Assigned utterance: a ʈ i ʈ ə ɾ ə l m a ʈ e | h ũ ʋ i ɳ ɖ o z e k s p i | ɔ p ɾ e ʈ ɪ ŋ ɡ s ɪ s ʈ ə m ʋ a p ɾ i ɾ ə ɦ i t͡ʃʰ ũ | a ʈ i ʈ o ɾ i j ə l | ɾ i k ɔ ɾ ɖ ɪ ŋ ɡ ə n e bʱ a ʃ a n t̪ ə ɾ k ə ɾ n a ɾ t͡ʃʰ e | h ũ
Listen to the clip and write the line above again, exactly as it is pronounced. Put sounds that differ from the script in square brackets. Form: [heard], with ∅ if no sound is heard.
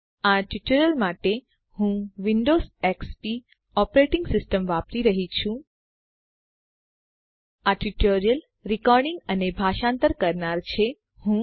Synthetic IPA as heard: a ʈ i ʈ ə ɾ ə l m a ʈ e | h ũ ʋ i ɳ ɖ o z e k s p i | ɔ p ɾ e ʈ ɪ ŋ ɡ s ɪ s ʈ ə m ʋ a p ɾ i ɾ ə ɦ i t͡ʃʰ ũ | a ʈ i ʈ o ɾ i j ə l | ɾ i k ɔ ɾ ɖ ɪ ŋ ɡ ə n e bʱ a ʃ a n t̪ ə ɾ k ə ɾ n a ɾ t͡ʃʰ e | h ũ